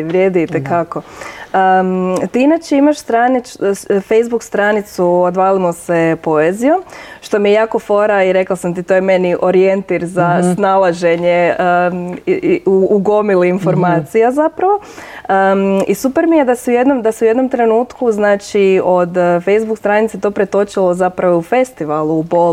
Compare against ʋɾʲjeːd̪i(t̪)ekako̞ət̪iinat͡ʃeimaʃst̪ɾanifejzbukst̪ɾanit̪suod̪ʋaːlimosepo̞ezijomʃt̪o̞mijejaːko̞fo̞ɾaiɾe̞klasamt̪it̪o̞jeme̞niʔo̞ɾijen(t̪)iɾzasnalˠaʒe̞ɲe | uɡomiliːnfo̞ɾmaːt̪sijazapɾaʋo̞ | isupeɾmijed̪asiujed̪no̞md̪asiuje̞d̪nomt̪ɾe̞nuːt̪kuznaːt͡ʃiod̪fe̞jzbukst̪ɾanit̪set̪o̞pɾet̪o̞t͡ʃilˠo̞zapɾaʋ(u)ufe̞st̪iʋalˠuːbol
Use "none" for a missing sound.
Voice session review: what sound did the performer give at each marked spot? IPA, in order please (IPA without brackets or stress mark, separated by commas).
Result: t̪, t̪, o